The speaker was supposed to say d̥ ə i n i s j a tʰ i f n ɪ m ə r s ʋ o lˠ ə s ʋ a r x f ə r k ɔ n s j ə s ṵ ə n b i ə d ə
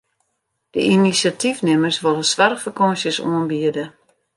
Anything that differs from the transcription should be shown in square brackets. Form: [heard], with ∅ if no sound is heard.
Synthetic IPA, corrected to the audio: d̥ ə i n i s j a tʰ i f n ɪ m ə r s ʋ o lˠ ə s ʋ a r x f ə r k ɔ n s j ə s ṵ ə n b i ə d ə